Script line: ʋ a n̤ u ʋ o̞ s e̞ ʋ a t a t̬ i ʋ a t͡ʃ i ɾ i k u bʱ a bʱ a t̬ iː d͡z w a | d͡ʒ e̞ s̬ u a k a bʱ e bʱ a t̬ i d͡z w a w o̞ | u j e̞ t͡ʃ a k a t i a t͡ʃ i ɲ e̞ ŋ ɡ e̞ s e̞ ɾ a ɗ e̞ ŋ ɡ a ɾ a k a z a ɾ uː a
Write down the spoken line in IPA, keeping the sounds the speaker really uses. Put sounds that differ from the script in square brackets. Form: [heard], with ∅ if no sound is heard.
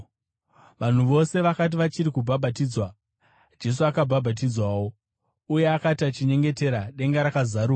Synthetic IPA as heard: ʋ a n̤ u ʋ o̞ s e̞ ʋ a [k] a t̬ i ʋ a t͡ʃ i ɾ i k u bʱ a bʱ a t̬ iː d͡z w a | d͡ʒ e̞ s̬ u a k a bʱ [a] bʱ a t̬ i d͡z w a w o̞ | u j e̞ [∅] a k a t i a t͡ʃ i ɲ e̞ ŋ ɡ e̞ [t] e̞ ɾ a ɗ e̞ ŋ ɡ a ɾ a k a z a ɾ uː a

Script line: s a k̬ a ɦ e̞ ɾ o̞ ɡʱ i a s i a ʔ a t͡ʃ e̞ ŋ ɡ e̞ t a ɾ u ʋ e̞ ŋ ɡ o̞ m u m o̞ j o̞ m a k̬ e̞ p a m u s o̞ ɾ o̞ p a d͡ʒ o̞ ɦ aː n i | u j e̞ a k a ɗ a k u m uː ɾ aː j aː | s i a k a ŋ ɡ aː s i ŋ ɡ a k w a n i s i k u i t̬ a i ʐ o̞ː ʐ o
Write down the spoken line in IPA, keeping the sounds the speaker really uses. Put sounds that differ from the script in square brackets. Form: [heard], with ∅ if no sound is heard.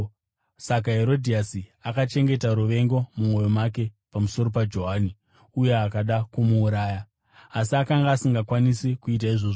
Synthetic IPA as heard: s a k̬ a ɦ e̞ ɾ o̞ [dʱ] i a s i a [k] a t͡ʃ e̞ ŋ ɡ e̞ t a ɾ u ʋ e̞ ŋ ɡ o̞ m u m o̞ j o̞ m a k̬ e̞ p a m u s o̞ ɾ o̞ p a d͡ʒ o̞ ɦ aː n i | u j e̞ a k a ɗ a k u m uː ɾ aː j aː | s i a k a ŋ ɡ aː s i ŋ ɡ a k w a n i s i k u i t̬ a i ʐ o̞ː ʐ o

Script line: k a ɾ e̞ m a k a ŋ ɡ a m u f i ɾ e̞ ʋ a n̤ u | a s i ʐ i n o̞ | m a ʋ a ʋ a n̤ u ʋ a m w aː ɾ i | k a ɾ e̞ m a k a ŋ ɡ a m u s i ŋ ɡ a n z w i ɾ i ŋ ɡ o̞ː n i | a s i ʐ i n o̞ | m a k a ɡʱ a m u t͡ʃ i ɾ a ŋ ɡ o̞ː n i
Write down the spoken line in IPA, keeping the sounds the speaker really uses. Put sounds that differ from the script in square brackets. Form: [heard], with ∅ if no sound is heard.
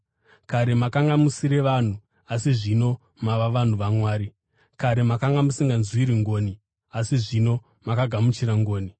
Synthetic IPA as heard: k a ɾ e̞ m a k a ŋ ɡ a m u [s] i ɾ e̞ ʋ a n̤ u | a s i ʐ i n o̞ | m a ʋ a ʋ a n̤ u ʋ a m w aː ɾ i | k a ɾ e̞ m a k a ŋ ɡ a m u s i ŋ ɡ a n z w i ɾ i ŋ ɡ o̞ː n i | a s i ʐ i n o̞ | m a k a ɡʱ a m u t͡ʃ i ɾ a ŋ ɡ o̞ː n i

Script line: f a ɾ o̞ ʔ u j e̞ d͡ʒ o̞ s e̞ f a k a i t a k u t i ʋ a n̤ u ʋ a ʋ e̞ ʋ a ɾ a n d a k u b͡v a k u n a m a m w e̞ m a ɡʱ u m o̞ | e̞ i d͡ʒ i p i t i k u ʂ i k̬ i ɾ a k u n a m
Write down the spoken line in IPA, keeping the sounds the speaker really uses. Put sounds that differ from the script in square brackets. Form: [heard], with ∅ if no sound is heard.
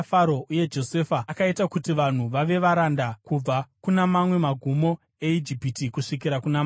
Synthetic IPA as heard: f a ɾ o̞ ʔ u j e̞ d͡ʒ o̞ s e̞ f a k a i t a k u t i ʋ a n̤ u ʋ a ʋ e̞ ʋ a ɾ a n d a k u b͡v a k u n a m a m w e̞ m a ɡʱ u m o̞ | e̞ i d͡ʒ i p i t i k u ʂ i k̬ i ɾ a k u n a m

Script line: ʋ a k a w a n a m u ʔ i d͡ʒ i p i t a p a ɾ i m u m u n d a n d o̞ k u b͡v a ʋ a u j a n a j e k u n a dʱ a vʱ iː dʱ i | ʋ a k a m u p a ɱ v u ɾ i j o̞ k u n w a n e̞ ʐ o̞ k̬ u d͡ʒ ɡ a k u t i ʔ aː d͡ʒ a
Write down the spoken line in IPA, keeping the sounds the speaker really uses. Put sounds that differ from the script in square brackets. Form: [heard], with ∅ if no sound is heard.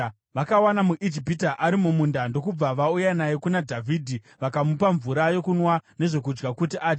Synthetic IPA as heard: ʋ a k a w a n a m u ʔ i d͡ʒ i p i t a [ʔ] a ɾ i m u m u n d a n d o̞ k u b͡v a ʋ a u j a n a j e k u n a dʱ a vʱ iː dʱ i | ʋ a k a m u p a ɱ v u ɾ [a] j o̞ k u n w a n e̞ ʐ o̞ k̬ u d͡ʒ ɡ a k u t i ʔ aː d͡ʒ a

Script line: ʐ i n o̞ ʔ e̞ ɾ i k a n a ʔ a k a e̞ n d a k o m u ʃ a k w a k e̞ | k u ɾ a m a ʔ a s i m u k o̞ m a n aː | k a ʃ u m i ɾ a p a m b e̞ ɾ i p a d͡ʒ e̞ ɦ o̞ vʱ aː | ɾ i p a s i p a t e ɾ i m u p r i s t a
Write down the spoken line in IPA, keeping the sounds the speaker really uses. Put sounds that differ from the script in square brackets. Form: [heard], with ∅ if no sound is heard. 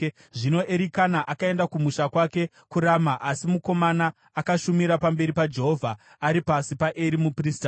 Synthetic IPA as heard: ʐ i n o̞ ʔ e̞ ɾ i k a n a ʔ a k a e̞ n d a k [u] m u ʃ a k w a k e̞ | k u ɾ a m a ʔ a s i m u k o̞ m a n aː | k a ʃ u m i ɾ a p a m b e̞ ɾ i p a d͡ʒ e̞ ɦ o̞ vʱ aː | ɾ i p a s i p a [ʔ] e ɾ i m u p r i s t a

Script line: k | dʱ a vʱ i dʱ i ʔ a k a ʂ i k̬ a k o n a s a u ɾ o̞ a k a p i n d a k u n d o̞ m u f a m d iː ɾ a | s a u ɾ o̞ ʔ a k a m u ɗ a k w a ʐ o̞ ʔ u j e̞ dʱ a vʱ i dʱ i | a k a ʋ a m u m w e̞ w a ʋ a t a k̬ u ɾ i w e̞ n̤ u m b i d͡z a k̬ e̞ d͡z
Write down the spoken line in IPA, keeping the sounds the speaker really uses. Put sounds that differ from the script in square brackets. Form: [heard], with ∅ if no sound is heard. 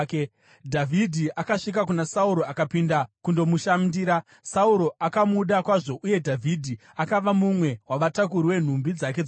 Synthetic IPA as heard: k | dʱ a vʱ i dʱ i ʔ a k a ʂ i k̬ a k [u] n a s a u ɾ o̞ a k a p i n d a k u n d o̞ m u [ʃ] a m d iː ɾ a | s a u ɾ o̞ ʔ a k a m u ɗ a k w a ʐ o̞ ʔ u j e̞ dʱ a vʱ i dʱ i | a k a ʋ a m u m w e̞ w a ʋ a t a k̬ u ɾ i w e̞ n̤ u m b i d͡z a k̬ e̞ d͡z

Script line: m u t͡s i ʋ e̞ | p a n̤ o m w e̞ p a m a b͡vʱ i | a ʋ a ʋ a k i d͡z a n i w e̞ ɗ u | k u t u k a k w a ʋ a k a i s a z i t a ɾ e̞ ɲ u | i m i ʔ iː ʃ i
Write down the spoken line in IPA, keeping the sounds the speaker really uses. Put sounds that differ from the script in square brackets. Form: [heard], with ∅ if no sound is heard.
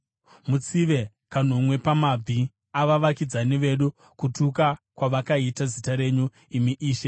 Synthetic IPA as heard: m u t͡s i ʋ e̞ | [k] a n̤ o m w e̞ p a m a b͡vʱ i | a ʋ a ʋ a k i d͡z a n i [ʋ] e̞ ɗ u | k u t u k a k w a ʋ a k a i [t] a z i t a ɾ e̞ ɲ u | i m i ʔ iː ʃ [e]

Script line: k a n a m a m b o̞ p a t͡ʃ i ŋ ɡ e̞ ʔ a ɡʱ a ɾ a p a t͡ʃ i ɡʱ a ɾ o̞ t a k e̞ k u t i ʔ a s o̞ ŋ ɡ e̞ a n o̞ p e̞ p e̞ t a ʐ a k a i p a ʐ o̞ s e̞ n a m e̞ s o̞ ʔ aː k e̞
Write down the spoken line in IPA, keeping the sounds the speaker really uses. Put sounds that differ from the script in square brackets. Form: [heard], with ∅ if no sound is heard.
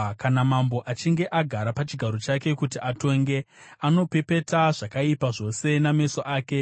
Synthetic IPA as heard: k a n a m a m b o̞ [ʔ] a t͡ʃ i ŋ ɡ e̞ ʔ a ɡʱ a ɾ a p a t͡ʃ i ɡʱ a ɾ o̞ [t͡ʃ] a k e̞ k u t i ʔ a [t] o̞ ŋ ɡ e̞ a n o̞ p e̞ p e̞ t a ʐ a k a i p a ʐ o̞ s e̞ n a m e̞ s o̞ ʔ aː k e̞

